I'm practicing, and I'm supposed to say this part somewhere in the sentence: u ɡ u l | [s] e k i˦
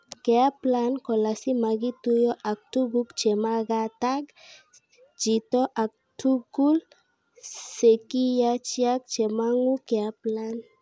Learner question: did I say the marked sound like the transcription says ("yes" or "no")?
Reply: yes